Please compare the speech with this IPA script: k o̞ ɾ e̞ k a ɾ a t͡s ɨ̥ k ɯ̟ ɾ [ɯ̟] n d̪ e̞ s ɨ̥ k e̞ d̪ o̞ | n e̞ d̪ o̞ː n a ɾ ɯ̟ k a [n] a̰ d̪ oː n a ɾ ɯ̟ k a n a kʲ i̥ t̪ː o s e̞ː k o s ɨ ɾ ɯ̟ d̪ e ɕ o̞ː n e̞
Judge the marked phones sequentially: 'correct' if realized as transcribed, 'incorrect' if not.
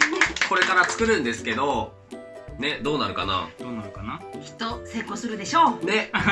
incorrect, correct

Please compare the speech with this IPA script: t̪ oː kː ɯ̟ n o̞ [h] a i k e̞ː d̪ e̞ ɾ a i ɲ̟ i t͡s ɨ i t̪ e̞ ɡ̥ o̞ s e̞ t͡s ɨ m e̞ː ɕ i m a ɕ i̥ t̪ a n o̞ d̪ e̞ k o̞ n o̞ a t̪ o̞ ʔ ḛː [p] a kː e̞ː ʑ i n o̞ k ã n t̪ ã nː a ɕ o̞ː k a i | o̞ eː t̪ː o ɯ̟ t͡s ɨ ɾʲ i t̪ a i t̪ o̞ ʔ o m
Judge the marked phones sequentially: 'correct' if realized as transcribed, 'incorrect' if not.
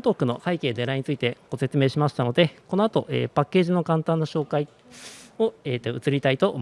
correct, correct

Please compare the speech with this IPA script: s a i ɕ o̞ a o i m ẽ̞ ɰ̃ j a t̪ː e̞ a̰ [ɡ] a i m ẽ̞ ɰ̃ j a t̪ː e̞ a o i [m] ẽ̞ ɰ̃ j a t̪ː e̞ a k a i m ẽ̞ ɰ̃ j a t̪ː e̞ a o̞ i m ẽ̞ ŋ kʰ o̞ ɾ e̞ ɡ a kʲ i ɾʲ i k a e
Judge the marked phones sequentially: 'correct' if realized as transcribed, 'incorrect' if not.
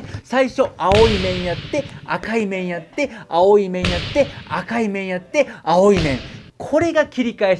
incorrect, correct

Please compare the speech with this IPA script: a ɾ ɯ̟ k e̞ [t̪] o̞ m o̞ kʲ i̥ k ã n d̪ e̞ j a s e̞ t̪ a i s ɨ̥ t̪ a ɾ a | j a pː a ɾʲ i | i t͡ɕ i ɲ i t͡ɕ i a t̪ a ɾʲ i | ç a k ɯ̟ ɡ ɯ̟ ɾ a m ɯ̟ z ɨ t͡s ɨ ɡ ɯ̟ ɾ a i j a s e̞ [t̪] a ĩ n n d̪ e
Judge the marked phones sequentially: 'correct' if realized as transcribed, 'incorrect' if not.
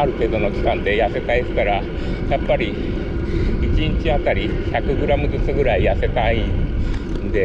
incorrect, correct

